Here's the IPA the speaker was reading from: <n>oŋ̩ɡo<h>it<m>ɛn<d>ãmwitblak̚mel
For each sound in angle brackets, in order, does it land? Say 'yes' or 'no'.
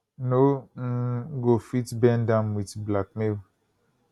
yes, no, no, yes

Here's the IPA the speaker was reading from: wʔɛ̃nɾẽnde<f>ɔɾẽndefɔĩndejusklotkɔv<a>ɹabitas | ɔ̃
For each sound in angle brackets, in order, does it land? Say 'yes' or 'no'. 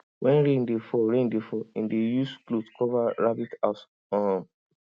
yes, yes

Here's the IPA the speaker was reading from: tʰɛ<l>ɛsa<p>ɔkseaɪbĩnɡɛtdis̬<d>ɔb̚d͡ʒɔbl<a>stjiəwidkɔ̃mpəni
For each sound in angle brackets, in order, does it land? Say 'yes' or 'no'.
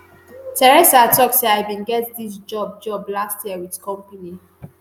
no, no, no, yes

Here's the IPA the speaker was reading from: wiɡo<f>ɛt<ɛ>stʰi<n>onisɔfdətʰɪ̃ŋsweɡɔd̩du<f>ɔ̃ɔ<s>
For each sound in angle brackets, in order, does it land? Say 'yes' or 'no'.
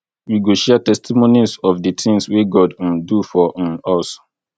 no, yes, no, yes, yes

